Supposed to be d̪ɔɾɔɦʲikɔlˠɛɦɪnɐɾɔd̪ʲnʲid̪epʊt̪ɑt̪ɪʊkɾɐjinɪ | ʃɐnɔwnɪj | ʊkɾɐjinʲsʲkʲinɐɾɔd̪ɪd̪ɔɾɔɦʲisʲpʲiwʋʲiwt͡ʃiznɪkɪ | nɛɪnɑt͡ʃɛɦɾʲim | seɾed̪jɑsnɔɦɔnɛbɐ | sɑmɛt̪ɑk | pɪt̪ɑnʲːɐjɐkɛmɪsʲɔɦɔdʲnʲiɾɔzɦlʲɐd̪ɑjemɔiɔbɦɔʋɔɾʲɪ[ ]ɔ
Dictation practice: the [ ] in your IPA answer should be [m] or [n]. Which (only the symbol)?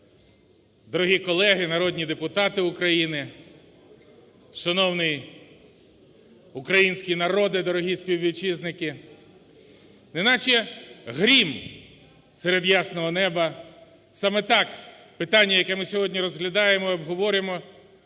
m